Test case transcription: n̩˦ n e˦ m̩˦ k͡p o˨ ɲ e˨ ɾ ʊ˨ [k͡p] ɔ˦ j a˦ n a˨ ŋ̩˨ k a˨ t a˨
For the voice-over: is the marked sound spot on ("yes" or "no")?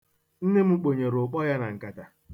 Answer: yes